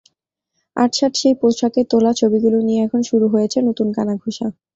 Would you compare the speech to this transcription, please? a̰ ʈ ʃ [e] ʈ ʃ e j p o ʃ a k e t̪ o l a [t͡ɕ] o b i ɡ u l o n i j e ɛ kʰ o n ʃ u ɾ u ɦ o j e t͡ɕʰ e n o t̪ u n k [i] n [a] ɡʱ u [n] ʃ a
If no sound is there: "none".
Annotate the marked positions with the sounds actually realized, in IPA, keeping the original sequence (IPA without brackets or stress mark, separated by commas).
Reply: a, t͡ɕʰ, a, a, none